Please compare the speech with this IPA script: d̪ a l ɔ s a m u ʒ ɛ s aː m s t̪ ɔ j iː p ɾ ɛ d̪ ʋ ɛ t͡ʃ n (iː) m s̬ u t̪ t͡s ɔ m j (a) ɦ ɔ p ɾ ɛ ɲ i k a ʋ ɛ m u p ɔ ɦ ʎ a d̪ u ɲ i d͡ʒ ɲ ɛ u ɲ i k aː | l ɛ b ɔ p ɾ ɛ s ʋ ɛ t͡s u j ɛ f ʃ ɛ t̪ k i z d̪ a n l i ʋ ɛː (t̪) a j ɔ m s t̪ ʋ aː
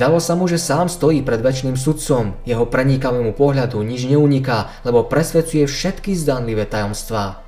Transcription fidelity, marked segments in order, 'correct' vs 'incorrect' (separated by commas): correct, incorrect, correct